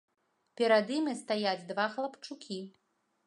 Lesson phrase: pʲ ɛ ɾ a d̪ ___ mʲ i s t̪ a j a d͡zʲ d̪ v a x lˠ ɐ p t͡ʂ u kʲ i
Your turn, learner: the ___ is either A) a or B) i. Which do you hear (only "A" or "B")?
B